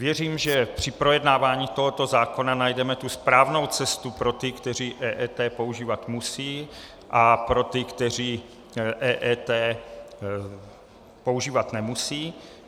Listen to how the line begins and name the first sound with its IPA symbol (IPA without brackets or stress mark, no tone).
v